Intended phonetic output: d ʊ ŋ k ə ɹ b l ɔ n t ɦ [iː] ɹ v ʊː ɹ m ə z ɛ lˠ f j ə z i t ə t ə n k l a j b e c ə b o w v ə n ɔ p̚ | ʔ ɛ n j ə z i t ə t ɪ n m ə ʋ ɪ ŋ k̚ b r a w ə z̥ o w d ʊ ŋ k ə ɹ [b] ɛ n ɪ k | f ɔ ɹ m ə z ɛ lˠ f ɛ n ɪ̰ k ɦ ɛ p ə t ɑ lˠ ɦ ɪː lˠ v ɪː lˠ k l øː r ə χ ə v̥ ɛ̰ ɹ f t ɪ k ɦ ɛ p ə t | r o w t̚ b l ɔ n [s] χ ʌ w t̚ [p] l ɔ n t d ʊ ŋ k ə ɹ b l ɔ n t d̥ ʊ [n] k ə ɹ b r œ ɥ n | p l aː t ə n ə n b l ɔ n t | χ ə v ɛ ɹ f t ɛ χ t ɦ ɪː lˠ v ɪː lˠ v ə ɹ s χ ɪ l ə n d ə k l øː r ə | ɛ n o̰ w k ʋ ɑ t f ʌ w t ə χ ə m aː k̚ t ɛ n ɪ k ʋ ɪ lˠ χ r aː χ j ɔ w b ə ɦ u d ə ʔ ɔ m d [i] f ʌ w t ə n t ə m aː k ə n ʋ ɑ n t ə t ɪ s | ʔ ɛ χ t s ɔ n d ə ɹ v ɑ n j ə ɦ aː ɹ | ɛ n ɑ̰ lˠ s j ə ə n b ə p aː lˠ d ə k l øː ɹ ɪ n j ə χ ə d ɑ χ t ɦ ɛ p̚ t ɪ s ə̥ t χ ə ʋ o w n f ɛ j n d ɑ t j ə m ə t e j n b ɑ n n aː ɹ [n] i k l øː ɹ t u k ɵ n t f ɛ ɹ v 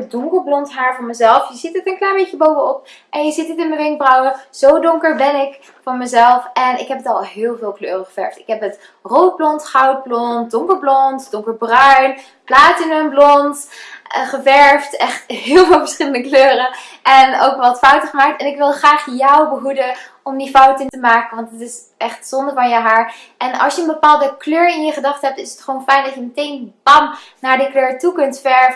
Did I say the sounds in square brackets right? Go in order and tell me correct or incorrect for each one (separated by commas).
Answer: incorrect, correct, incorrect, incorrect, incorrect, correct, incorrect